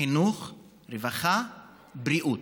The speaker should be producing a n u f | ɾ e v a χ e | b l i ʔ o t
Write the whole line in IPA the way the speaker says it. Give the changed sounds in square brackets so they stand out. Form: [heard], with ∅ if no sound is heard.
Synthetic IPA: [i] n u [χ] | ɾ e v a χ [a] | b [ɾ] i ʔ [u] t

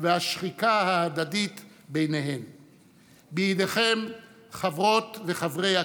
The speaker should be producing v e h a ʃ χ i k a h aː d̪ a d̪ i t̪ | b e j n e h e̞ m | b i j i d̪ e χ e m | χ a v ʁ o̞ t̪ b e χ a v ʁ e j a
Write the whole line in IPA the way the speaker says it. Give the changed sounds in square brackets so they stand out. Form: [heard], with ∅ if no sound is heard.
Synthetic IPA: v e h a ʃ χ i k a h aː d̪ a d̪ i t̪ | b e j n e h e̞ m | b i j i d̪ e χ e m | χ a v ʁ o̞ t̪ [v] e χ a v ʁ e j a

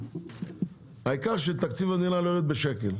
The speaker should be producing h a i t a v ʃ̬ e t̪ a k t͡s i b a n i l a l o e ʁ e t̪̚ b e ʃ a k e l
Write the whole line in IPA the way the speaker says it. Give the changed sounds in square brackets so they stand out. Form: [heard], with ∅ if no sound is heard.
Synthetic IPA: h a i [k] a [ʁ] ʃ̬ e t̪ a k t͡s i [v] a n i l a l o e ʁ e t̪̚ b e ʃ [e] k e l

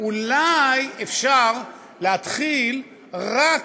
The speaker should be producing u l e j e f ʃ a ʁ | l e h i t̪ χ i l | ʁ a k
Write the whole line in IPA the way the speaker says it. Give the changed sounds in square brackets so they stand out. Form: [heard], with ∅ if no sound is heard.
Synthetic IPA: u l [a] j e f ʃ a ʁ | l e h [a] t̪ χ i l | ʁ a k

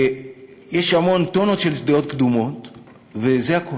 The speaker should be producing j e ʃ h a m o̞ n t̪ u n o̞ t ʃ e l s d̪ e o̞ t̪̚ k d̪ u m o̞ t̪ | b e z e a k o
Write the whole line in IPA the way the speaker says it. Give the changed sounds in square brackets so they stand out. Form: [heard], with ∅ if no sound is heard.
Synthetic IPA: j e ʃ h a m o̞ n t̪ [o] n o̞ t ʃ e l s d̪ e o̞ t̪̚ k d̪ u m o̞ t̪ | [v] e z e a k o

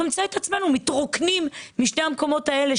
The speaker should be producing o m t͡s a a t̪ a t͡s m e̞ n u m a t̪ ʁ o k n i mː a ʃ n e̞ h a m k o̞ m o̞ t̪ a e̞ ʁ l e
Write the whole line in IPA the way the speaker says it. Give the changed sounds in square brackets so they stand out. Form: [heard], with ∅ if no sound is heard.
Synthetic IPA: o m t͡s a [e] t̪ a t͡s m e̞ n u m [i] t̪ ʁ o k n i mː [i] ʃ n e̞ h a m k o̞ m o̞ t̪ a e̞ [∅] l e

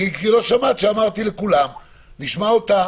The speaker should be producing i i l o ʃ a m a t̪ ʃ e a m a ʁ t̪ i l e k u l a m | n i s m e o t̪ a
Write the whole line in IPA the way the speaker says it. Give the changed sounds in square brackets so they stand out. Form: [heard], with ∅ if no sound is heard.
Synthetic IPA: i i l o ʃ a m a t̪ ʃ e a m a ʁ t̪ i l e k u l a m | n i [ʃ] m [a] o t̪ a

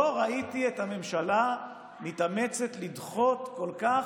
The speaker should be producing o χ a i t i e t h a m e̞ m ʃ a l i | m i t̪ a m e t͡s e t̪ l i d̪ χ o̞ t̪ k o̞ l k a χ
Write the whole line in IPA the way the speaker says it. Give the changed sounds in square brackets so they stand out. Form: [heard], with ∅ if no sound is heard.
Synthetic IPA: o [ʁ] a i t i e t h a m e̞ m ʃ a l [a] | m i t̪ a m e t͡s e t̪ l i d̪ χ o̞ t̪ k o̞ l k a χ

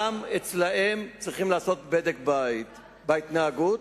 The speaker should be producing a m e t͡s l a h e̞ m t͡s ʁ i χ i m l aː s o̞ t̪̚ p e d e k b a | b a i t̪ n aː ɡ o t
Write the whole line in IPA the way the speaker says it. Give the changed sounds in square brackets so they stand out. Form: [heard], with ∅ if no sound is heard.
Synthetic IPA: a m e t͡s l a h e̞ m t͡s ʁ i χ i m l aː s o̞ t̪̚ [b] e d e k b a | b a i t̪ n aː ɡ [u] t

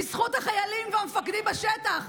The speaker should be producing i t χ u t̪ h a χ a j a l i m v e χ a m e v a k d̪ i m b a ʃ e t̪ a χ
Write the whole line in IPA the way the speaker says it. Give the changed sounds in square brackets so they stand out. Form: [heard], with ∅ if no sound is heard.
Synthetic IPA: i [s] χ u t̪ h a χ a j a l i m v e [∅] a m e [f] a k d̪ i m b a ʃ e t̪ a χ

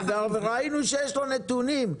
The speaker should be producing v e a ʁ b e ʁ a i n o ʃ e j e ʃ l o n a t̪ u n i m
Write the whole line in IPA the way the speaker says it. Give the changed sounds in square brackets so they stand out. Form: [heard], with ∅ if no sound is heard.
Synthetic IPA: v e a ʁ [v] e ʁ a i n [u] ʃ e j e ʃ l o n [e] t̪ u n i m

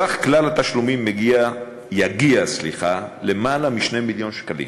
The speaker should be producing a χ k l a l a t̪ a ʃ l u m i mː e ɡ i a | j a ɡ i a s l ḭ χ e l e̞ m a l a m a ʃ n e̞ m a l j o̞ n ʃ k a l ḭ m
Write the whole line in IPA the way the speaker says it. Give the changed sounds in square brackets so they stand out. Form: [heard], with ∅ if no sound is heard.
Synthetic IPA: a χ k l a l a t̪ a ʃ l u m i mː e ɡ i a | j a ɡ i a s l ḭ χ [a] l e̞ m a l a m [i] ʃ n e̞ m [i] l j o̞ n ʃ k a l ḭ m

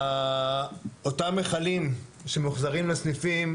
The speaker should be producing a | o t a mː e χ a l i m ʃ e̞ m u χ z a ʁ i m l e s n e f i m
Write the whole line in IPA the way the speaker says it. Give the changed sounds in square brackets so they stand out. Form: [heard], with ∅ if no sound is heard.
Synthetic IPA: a | o t a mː e χ a l i m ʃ e̞ m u χ z a ʁ i m l e s n [i] f i m

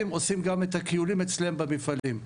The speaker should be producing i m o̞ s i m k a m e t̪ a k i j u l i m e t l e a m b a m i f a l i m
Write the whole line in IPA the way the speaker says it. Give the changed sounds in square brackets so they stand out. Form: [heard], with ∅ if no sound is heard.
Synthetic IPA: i m o̞ s i m [ɡ] a m e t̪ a k i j u l i m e [t͡s] l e [e] m b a m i f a l i m

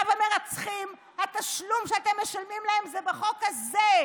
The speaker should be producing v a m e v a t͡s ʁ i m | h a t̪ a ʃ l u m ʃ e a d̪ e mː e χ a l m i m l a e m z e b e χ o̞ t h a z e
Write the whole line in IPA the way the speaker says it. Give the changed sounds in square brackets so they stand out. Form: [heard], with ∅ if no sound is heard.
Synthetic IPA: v a m e [ʁ] a t͡s [χ] i m | h a t̪ a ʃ l u m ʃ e a [t̪] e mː e [ʃ] a l m i m l a e m z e b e χ o̞ [k] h a z e

